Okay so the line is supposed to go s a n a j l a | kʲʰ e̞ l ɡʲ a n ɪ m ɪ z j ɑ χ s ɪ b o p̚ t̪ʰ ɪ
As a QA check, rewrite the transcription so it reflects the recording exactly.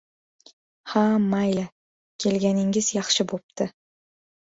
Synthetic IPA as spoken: h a m a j l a | kʲʰ e̞ l ɡʲ a n ɪ ŋ ɪ z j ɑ χ ʃ ɪ b o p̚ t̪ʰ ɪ